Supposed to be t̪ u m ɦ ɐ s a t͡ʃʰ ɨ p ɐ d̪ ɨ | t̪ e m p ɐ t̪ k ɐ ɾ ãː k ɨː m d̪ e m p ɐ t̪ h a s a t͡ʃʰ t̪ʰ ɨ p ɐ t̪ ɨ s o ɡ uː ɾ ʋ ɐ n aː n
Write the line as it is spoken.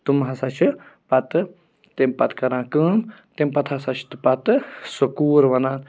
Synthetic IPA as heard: t̪ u m ɦ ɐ s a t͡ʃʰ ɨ p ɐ t̪ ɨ | t̪ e m p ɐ t̪ k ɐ ɾ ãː k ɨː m t̪ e m p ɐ t̪ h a s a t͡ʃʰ t̪ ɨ p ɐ t̪ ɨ s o k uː ɾ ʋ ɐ n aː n